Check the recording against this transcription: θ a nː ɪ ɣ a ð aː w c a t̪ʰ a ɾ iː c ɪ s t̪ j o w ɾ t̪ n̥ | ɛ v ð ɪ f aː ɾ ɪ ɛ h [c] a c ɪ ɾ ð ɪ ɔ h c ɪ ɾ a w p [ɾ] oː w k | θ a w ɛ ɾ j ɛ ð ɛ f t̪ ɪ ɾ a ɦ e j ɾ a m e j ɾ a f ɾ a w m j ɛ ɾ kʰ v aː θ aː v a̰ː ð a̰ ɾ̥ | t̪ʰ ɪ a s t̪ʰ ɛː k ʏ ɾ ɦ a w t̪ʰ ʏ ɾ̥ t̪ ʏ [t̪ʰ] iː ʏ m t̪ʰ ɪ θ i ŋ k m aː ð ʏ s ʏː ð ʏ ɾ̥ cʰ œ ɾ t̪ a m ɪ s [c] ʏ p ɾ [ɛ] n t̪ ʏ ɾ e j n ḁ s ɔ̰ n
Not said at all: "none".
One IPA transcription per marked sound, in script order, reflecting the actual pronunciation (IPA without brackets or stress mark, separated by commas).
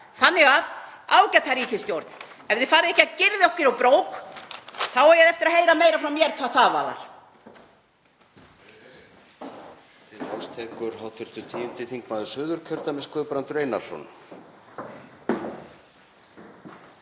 c, ɾ, t̪ʰ, k, a